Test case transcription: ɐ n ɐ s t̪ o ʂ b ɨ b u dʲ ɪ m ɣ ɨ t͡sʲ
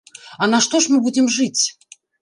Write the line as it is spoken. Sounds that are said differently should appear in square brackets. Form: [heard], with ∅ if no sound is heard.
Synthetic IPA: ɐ n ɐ [ʂ] t̪ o ʂ [m] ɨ b u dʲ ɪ m [ʐ] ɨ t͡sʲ